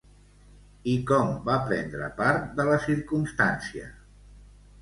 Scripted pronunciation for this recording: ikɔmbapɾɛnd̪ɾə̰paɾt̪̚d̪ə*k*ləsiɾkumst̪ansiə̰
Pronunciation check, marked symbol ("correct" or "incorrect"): incorrect